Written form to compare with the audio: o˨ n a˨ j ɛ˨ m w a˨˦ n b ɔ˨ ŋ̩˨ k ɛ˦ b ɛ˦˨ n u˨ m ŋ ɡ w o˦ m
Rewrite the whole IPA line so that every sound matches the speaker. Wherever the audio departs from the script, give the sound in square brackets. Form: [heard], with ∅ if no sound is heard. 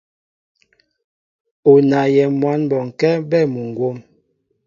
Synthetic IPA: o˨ n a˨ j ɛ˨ m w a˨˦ n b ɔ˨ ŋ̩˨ k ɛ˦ b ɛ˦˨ [m] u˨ [∅] ŋ ɡ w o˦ m